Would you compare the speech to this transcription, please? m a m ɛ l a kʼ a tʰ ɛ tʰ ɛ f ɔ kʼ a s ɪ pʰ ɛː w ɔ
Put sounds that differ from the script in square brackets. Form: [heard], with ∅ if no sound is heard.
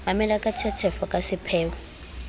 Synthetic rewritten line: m a m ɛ l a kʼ a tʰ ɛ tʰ ɛ f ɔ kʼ a s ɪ pʰ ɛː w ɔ